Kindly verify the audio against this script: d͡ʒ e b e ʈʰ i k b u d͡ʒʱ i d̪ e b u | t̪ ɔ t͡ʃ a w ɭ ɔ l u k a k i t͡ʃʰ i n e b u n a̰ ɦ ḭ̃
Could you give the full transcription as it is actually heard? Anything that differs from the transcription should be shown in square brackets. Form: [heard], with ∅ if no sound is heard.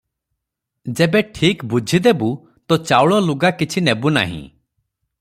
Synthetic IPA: d͡ʒ e b e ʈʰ i k b u d͡ʒʱ i d̪ e b u | t̪ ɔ t͡ʃ a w ɭ ɔ l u [ɡ] a k i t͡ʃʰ i n e b u n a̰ ɦ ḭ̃